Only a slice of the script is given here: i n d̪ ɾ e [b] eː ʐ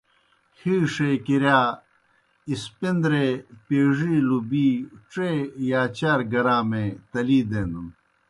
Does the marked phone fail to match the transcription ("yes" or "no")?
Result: yes